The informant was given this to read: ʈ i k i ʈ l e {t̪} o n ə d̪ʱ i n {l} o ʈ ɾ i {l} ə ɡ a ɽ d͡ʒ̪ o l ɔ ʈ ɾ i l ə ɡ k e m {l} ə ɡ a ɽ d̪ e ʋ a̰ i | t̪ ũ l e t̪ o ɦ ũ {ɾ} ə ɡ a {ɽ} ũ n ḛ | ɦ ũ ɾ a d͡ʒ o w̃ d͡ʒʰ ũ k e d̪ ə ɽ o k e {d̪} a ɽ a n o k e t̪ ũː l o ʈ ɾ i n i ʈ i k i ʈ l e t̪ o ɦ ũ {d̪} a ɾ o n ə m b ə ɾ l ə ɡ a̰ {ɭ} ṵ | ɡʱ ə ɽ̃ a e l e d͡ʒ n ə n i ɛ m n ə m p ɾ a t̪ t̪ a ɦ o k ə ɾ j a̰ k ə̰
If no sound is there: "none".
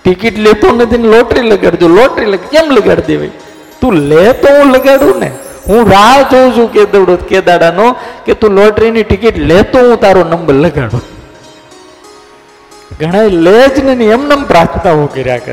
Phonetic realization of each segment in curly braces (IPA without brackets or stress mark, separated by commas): t̪, l, l, l, l, ɽ, d̪, t̪, ɽ